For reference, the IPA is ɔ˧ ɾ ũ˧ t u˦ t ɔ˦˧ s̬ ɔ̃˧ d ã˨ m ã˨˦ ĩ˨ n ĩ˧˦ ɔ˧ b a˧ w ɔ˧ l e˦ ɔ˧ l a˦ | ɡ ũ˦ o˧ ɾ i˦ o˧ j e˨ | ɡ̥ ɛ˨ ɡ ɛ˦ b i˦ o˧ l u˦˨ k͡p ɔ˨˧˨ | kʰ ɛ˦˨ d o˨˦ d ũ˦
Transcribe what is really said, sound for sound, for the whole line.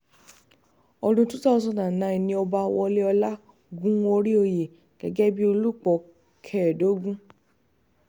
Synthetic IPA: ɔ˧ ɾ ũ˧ t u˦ t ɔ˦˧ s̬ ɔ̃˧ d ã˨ n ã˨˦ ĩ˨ n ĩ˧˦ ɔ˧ b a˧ w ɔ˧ l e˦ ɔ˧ l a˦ | ɡ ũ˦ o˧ ɾ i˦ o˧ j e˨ | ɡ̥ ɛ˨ ɡ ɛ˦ b i˦ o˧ l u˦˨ k͡p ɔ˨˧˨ | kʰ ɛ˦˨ d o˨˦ ɡ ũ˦